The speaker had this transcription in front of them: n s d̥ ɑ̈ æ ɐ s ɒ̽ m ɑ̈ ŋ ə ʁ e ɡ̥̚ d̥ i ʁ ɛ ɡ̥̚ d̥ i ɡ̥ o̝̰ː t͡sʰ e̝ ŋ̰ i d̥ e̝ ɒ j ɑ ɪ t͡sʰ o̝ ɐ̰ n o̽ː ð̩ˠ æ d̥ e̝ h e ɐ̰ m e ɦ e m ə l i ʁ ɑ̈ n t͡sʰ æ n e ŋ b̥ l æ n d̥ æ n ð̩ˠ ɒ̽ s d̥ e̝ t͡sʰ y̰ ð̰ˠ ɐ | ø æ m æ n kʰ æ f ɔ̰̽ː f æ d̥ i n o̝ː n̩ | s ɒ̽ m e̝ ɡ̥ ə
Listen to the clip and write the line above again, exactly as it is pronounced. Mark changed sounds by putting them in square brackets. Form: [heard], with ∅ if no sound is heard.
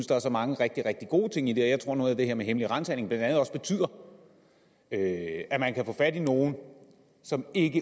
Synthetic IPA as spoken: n s d̥ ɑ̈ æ ɐ s ɒ̽ m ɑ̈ ŋ ə ʁ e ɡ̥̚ d̥ i ʁ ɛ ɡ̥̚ d̥ i ɡ̥ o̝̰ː t͡sʰ e̝ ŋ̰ i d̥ e̝ ɒ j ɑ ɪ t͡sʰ o̝ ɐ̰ n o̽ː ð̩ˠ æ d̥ e̝ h e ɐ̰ m e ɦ e m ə l i ʁ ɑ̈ n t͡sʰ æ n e ŋ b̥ l æ n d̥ æ n ð̩ˠ ɒ̽ s [b̥] e̝ t͡sʰ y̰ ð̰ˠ ɐ | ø æ m æ n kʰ æ f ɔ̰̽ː f æ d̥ i n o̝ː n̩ | s ɒ̽ m e̝ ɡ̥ ə